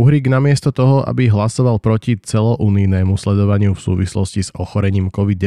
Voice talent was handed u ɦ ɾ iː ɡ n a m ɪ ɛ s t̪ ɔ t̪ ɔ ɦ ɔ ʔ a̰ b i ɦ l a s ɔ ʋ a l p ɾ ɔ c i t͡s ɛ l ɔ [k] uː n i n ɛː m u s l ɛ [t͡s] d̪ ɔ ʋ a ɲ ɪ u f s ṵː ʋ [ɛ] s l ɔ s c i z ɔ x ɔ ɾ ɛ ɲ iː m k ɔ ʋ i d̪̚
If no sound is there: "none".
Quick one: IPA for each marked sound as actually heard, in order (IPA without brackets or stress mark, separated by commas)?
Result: ʔ, none, i